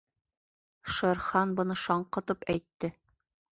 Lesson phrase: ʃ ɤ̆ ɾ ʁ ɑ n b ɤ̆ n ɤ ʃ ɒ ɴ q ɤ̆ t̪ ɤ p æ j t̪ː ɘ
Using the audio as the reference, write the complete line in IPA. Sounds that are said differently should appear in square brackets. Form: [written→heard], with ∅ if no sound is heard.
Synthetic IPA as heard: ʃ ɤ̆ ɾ [ʁ→χ] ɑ n b ɤ̆ n ɤ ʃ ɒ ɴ q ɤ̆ t̪ ɤ p æ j t̪ː ɘ